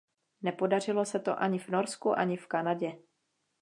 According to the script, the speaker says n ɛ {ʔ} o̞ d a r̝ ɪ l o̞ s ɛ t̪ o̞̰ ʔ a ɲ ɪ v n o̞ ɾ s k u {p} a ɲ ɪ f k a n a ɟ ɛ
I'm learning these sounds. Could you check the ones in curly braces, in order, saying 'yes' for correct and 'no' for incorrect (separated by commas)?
no, no